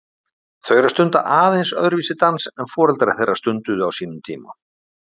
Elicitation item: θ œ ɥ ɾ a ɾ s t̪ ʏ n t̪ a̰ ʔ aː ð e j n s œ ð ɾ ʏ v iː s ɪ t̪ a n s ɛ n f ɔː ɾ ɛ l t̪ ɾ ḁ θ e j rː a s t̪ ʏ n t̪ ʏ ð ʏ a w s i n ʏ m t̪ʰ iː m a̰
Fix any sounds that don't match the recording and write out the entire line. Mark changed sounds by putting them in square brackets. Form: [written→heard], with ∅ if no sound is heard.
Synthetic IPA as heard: θ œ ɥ ɾ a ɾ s t̪ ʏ n t̪ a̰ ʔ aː ð e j n s œ ð ɾ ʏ v iː s ɪ t̪ a n s ɛ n f ɔː ɾ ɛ l t̪ ɾ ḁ θ e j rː a s t̪ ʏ n t̪ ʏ ð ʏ a w s [i→iː] n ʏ m t̪ʰ iː m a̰